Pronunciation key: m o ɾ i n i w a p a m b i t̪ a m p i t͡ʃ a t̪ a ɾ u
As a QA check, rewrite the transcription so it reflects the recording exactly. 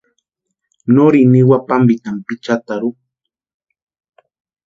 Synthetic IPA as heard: n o ɾ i n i w a p a m b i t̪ a m p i t͡ʃ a t̪ a ɾ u